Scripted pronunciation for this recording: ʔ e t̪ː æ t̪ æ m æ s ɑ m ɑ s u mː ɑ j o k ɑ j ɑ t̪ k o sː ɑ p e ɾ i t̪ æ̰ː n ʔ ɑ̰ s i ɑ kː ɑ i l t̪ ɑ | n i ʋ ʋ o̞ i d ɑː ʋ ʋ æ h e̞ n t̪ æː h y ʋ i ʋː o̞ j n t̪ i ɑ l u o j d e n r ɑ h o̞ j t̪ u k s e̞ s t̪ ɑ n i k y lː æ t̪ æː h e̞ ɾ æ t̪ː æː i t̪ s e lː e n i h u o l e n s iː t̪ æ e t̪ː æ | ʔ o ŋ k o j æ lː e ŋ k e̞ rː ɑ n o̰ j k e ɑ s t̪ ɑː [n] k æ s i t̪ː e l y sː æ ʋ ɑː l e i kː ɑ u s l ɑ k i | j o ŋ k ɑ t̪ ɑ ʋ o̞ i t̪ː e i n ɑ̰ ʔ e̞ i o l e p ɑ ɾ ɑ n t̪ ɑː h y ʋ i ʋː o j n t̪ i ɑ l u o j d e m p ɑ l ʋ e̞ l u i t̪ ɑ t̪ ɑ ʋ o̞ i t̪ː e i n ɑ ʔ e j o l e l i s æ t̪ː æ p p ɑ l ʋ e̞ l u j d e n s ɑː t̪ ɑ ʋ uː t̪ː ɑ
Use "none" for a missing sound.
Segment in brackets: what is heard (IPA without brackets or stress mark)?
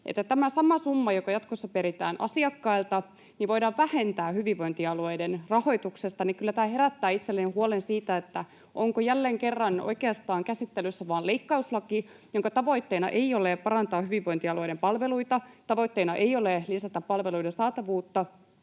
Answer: ŋ